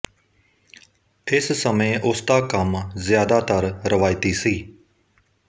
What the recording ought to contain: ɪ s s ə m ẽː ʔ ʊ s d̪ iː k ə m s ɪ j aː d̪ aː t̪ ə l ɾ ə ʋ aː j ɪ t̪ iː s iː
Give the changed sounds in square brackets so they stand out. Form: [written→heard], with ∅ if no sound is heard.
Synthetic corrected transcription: ɪ s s ə m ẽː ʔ ʊ s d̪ [iː→aː] k ə m [s→z] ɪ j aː d̪ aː t̪ ə [l→ɾ] ɾ ə ʋ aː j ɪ t̪ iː s iː